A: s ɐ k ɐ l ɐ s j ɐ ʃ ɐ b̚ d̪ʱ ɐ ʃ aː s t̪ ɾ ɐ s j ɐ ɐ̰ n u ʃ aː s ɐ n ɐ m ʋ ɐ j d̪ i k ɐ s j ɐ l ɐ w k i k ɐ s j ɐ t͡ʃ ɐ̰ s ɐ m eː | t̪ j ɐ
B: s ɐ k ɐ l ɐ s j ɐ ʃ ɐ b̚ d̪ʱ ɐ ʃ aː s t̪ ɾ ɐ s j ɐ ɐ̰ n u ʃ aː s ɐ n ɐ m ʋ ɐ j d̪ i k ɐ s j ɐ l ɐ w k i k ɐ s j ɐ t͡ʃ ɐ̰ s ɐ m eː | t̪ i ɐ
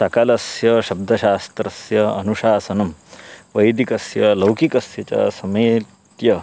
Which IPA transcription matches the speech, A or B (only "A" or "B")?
A